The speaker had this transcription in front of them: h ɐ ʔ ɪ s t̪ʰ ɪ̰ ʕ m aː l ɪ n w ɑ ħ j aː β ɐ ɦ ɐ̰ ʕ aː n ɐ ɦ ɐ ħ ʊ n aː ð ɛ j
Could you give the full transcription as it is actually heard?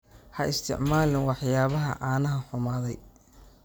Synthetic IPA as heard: h ɐ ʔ ɪ s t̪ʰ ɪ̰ ʕ m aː l ɪ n w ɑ ħ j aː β ɐ ɦ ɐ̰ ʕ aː n ɐ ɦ ɐ ħ ʊ m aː ð ɛ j